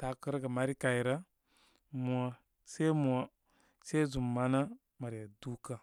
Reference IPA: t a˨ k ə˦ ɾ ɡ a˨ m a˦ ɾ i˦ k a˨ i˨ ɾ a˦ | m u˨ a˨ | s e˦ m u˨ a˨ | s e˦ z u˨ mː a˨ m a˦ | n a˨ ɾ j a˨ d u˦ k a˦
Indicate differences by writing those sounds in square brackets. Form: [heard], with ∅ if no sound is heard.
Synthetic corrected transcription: t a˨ k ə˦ ɾ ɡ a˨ m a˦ ɾ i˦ k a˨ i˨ ɾ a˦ | m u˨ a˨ | s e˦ m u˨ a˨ | s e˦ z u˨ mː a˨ [n] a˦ | [m] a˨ ɾ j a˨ d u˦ k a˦